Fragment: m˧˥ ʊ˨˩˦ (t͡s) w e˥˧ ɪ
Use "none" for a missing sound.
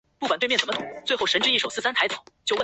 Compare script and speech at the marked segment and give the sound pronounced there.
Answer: t͡s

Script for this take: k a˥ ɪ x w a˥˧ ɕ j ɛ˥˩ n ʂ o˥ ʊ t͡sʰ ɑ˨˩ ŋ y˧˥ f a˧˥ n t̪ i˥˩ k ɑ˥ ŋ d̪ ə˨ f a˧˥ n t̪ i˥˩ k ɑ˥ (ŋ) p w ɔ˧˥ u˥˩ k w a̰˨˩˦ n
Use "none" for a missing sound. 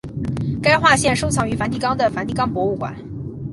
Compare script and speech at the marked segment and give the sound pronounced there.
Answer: ŋ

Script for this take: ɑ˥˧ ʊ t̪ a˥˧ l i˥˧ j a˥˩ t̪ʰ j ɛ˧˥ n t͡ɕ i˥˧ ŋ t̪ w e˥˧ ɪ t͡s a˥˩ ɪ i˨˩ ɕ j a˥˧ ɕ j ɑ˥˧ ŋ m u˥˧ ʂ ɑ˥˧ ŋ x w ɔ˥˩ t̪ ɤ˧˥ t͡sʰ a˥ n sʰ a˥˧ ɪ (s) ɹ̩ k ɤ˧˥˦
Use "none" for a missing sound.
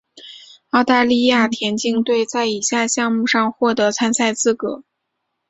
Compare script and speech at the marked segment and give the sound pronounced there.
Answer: t͡s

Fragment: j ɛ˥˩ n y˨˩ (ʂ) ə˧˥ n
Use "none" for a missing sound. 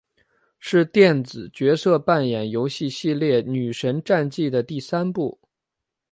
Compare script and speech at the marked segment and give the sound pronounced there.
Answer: ʂ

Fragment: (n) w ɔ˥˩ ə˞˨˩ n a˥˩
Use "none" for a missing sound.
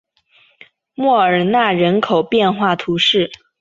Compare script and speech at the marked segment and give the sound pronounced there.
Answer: m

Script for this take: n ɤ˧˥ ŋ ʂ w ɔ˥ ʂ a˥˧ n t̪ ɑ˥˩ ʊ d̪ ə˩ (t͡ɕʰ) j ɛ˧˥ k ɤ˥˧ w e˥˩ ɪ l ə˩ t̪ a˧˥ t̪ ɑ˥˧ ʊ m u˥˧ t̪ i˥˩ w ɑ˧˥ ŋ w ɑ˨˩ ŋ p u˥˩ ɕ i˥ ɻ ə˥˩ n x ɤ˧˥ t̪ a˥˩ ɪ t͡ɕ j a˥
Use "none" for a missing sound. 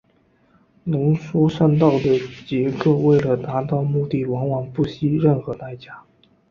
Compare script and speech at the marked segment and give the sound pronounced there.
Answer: t͡ɕ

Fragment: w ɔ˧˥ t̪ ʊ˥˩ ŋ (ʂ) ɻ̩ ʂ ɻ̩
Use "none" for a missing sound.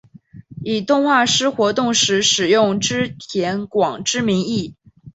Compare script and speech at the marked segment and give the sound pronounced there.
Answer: ʂ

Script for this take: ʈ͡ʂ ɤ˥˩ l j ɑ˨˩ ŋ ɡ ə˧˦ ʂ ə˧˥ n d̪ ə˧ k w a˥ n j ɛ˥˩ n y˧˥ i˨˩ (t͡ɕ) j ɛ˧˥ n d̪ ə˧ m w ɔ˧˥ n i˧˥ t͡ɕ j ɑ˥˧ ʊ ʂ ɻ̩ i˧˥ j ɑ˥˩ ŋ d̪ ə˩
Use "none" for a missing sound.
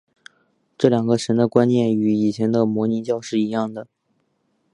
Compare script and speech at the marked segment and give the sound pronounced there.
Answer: t͡ɕʰ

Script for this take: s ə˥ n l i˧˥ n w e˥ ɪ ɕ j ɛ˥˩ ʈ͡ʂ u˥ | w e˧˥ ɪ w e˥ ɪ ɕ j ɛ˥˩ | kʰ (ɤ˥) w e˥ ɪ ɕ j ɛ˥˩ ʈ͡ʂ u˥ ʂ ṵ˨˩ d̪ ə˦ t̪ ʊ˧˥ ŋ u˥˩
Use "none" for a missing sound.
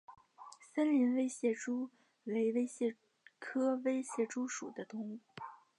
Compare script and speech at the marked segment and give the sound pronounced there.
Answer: ɤ˥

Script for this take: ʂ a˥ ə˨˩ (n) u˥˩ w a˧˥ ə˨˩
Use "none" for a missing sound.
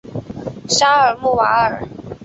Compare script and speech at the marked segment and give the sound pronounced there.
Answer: m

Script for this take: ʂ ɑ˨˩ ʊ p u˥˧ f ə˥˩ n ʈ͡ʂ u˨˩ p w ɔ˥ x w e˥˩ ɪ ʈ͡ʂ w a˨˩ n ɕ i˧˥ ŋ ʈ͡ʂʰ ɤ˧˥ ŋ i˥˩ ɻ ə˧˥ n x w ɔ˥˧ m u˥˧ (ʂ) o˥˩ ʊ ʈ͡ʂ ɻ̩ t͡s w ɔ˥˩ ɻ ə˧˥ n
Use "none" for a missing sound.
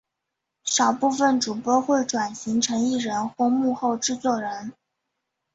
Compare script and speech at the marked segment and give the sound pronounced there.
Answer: x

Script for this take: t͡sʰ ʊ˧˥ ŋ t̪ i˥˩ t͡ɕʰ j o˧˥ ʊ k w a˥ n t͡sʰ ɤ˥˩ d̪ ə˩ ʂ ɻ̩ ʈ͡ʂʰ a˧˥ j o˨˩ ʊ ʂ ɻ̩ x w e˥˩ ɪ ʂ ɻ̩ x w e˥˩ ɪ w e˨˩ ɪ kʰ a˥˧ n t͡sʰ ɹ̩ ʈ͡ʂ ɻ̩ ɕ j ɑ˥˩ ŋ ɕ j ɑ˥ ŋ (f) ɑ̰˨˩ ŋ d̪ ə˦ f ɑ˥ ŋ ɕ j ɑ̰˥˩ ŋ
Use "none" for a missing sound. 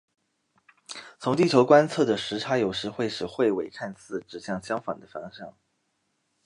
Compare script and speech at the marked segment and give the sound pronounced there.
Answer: f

